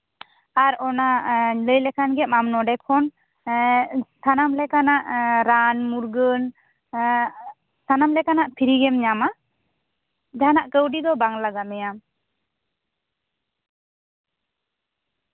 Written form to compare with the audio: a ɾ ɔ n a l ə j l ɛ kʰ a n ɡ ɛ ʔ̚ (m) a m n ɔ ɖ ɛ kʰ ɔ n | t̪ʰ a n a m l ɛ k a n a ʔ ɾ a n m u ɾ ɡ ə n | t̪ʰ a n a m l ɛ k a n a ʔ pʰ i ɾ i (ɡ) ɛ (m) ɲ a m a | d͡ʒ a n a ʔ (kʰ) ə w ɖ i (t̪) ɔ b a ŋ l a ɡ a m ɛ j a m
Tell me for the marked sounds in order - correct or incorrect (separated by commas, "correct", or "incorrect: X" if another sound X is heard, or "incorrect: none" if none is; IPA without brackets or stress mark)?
correct, correct, correct, incorrect: k, incorrect: d̪